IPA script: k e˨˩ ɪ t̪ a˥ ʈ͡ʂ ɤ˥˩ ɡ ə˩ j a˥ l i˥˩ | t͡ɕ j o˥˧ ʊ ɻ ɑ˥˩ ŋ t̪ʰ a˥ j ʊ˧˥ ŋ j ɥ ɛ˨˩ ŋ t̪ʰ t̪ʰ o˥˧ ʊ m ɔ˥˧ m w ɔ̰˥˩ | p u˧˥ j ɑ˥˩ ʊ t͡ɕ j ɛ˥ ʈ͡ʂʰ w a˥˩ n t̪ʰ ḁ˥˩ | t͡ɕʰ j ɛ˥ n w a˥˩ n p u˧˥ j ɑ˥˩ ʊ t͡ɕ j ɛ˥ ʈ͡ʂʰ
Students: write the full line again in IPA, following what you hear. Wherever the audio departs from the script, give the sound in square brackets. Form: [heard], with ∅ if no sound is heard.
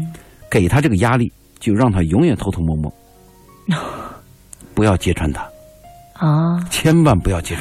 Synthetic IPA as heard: k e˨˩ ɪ [t̪ʰ] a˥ ʈ͡ʂ ɤ˥˩ ɡ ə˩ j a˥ l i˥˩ | t͡ɕ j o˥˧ ʊ ɻ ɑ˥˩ ŋ t̪ʰ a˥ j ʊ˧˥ ŋ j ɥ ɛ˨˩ [n] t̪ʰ t̪ʰ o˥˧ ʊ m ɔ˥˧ m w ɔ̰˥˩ | p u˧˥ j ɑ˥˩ ʊ t͡ɕ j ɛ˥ ʈ͡ʂʰ w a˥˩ n t̪ʰ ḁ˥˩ | t͡ɕʰ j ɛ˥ n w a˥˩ n p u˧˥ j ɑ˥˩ ʊ t͡ɕ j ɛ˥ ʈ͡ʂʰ